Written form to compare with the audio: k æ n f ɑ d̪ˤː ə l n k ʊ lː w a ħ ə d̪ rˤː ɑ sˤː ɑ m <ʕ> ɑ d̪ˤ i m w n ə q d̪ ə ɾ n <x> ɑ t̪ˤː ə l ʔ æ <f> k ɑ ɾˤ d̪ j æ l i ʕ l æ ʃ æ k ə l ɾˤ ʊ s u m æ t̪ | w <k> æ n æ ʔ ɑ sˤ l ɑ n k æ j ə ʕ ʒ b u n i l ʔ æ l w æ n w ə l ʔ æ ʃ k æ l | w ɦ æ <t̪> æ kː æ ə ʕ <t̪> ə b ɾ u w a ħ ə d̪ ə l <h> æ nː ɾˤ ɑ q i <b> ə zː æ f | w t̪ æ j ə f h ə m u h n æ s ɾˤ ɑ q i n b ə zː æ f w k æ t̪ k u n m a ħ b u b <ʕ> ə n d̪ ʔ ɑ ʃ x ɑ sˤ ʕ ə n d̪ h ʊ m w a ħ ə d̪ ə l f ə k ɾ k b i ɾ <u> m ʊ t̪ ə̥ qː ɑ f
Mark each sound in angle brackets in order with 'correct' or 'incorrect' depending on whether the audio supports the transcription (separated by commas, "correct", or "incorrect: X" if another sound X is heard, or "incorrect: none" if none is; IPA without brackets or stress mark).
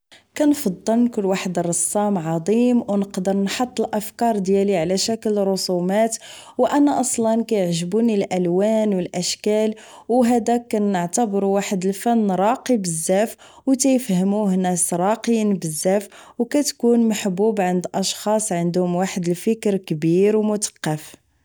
correct, incorrect: ħ, correct, incorrect: ʔ, incorrect: d̪, correct, incorrect: f, correct, correct, incorrect: w